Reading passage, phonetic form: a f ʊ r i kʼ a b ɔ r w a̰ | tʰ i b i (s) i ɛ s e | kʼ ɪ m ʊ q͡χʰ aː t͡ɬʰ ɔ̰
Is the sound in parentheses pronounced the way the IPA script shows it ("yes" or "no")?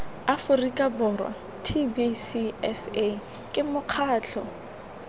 yes